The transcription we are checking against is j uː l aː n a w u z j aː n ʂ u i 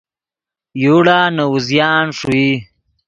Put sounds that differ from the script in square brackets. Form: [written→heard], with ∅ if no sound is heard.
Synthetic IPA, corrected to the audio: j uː [l→ɽ] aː n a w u z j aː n ʂ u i